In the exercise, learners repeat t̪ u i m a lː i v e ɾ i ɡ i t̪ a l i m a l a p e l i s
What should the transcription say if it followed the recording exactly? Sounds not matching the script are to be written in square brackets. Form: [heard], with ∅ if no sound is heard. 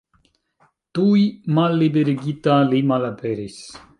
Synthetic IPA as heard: t̪ u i m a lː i [b] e ɾ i ɡ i t̪ a l i m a l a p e [ɾ] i s